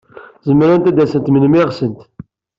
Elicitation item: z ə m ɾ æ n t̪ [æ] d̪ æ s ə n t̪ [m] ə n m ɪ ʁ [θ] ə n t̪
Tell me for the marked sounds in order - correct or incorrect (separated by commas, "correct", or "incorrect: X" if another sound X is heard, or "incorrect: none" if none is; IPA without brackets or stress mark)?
correct, correct, incorrect: s